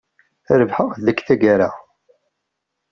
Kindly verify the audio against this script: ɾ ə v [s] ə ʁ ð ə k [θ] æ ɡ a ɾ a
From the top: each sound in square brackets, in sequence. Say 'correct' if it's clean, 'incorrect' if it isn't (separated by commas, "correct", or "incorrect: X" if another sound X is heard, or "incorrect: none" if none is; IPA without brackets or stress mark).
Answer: incorrect: ħ, correct